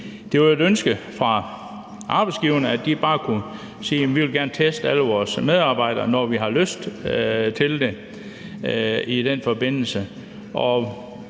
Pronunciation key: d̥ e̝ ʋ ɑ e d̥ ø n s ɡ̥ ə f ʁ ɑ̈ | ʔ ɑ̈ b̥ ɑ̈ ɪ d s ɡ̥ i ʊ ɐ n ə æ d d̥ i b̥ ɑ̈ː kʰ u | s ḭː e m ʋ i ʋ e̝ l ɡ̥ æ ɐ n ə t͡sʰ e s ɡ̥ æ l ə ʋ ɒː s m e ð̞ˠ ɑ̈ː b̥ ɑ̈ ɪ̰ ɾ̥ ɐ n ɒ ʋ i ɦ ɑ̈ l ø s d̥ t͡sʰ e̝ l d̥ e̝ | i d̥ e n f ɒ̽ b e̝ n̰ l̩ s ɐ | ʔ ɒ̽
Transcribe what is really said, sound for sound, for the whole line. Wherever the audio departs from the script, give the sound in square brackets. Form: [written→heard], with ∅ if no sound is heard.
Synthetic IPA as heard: d̥ e̝ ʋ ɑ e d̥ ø n s ɡ̥ ə f ʁ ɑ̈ | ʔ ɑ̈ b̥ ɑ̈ ɪ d s ɡ̥ i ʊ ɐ n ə æ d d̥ i b̥ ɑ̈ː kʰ u | s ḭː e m ʋ i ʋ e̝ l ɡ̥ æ ɐ n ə t͡sʰ e s [ɡ̥→d̥] æ l ə ʋ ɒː s m e ð̞ˠ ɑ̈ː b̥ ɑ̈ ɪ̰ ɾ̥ ɐ n ɒ ʋ i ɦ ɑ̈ l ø s d̥ t͡sʰ e̝ l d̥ e̝ | i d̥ e n f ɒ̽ b e̝ n̰ l̩ s [ɐ→ə] | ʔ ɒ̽